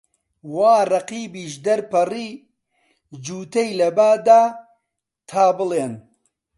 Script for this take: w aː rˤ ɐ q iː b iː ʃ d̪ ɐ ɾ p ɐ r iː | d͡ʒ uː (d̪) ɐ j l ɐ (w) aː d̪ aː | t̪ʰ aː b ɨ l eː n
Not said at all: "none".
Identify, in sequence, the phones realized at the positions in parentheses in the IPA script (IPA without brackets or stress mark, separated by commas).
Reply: t̪, b